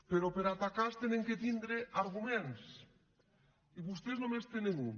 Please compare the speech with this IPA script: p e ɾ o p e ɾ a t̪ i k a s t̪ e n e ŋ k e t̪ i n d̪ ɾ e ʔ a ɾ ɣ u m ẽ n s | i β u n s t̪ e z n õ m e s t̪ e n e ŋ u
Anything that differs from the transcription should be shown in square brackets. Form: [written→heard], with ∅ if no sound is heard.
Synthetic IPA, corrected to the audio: p e ɾ o p e ɾ a t̪ [i→a] k a s t̪ e n e ŋ k e t̪ i n d̪ ɾ e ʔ a ɾ ɣ u m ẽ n s | i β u [n→∅] s t̪ e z n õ m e s t̪ e n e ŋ u